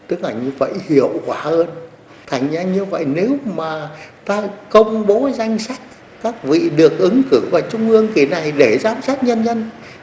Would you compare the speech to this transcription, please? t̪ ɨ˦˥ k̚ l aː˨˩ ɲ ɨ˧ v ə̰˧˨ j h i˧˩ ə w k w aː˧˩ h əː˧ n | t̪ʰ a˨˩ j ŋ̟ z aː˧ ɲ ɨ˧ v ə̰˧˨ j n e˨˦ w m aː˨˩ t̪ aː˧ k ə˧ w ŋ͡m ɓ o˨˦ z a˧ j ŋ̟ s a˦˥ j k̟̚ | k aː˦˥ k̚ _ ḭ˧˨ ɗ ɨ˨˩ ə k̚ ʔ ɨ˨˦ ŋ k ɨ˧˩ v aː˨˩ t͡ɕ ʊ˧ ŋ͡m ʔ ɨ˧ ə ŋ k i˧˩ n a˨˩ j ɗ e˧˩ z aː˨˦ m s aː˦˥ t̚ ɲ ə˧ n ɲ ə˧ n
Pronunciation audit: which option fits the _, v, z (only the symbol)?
v